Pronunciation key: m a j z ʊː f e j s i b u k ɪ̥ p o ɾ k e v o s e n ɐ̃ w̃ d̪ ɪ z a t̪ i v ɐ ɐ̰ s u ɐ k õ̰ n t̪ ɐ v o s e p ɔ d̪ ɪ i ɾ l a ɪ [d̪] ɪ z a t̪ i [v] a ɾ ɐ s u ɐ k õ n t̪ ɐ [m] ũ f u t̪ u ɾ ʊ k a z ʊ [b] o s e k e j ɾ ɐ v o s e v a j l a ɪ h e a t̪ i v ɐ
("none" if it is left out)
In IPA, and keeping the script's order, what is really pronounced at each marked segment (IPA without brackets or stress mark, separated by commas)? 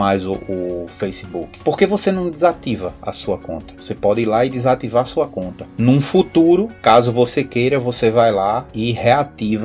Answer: d̪, v, n, v